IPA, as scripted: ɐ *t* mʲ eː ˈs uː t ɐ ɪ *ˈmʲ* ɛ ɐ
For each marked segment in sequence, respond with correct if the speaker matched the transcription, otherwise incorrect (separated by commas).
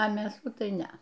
incorrect, incorrect